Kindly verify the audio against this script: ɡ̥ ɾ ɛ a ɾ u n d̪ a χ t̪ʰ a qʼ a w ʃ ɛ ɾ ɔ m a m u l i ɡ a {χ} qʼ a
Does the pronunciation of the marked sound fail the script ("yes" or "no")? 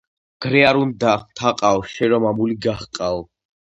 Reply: no